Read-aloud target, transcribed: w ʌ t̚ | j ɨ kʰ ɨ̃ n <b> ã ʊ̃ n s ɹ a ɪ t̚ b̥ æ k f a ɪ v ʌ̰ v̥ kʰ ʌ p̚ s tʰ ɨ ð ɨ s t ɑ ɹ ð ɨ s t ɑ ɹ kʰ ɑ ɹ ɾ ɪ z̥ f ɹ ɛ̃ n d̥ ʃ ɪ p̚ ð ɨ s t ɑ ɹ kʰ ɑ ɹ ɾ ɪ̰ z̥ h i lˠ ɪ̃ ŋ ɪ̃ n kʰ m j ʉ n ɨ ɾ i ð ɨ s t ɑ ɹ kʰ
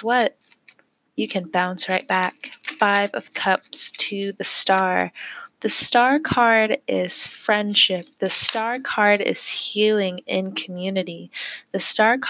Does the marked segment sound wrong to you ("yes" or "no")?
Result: no